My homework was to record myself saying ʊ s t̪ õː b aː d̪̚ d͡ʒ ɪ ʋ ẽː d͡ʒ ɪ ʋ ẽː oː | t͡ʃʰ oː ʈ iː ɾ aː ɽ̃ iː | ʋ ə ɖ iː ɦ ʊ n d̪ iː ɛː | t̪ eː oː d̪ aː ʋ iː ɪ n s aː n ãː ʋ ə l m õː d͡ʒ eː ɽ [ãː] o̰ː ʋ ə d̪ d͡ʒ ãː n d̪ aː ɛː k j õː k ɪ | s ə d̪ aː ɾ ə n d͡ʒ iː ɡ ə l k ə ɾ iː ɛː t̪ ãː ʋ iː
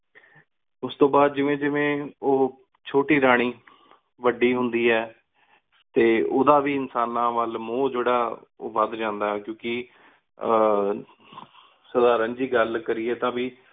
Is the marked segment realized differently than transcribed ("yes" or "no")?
yes